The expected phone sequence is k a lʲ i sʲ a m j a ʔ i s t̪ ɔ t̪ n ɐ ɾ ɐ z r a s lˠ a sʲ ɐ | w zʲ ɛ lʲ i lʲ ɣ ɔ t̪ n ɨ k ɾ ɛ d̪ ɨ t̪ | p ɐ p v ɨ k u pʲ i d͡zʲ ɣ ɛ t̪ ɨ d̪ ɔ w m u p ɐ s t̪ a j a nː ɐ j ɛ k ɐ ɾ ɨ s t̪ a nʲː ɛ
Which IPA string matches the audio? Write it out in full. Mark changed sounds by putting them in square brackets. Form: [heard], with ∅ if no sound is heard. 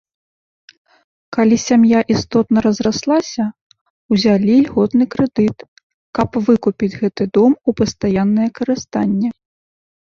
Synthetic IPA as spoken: k a lʲ i sʲ a m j a ʔ i s t̪ ɔ t̪ n ɐ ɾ ɐ z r a s lˠ a sʲ ɐ | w zʲ [a] lʲ i lʲ ɣ ɔ t̪ n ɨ k ɾ ɛ d̪ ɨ t̪ | [k] ɐ p v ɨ k u pʲ i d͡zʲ ɣ ɛ t̪ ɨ d̪ ɔ [∅] m u p ɐ s t̪ a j a nː ɐ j ɛ k ɐ ɾ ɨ s t̪ a nʲː ɛ